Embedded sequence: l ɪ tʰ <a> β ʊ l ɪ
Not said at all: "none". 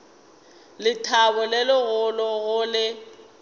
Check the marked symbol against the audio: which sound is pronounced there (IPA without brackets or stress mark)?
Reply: a